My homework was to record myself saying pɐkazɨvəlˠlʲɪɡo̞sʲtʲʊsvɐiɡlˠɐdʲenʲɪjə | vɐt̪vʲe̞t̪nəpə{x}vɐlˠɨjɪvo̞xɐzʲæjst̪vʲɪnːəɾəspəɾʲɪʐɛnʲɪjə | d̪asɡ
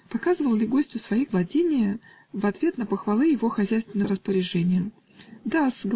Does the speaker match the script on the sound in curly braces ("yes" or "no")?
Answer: yes